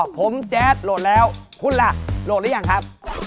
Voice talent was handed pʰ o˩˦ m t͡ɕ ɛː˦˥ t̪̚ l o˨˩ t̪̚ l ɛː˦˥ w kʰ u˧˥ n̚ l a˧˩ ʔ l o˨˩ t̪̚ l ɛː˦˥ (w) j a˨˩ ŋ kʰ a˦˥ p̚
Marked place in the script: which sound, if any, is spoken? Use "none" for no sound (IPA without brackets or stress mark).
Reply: none